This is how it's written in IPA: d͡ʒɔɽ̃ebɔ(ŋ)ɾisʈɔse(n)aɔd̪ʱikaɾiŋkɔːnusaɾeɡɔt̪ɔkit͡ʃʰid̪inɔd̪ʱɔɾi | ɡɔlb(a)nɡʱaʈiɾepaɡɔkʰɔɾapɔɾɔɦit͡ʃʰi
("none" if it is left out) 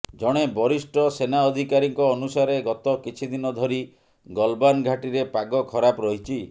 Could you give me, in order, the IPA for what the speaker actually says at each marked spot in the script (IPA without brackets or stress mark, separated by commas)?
none, n, a